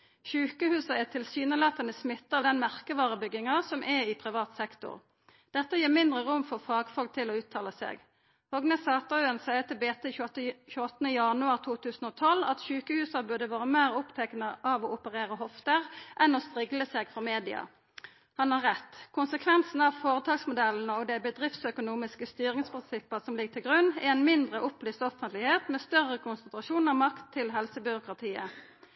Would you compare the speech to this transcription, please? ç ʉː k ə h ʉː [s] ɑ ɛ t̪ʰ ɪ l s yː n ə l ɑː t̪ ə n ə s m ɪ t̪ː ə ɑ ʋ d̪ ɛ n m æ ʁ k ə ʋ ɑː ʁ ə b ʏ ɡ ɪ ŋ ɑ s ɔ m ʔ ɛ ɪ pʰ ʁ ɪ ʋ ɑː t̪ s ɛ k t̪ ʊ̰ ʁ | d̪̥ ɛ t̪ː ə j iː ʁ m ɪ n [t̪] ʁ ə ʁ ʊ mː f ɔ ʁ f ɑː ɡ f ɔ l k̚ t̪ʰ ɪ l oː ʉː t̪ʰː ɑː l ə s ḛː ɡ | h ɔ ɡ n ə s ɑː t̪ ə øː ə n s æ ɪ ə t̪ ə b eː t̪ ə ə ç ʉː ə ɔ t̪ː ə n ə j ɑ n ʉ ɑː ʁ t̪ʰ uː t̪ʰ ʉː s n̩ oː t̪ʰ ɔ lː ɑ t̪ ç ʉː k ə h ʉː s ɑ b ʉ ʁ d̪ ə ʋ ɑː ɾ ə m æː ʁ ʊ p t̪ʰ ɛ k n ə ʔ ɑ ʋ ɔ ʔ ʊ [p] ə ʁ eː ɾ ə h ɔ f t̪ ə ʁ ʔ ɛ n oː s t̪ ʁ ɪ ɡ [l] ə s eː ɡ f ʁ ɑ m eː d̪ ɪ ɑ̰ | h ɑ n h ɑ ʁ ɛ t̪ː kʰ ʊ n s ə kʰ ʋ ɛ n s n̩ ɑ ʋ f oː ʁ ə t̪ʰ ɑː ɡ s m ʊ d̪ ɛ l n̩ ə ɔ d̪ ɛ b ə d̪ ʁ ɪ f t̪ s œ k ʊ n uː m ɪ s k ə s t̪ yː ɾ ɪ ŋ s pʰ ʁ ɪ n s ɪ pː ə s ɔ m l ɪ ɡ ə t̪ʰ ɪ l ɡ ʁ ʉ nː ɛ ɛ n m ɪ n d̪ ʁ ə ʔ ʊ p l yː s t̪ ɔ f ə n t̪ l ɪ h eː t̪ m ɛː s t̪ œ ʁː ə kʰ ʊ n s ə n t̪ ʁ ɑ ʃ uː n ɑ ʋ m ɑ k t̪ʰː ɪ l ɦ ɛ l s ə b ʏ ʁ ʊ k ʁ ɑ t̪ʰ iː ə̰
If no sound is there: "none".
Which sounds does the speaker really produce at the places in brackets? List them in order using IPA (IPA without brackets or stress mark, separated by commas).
s, d̪, p, l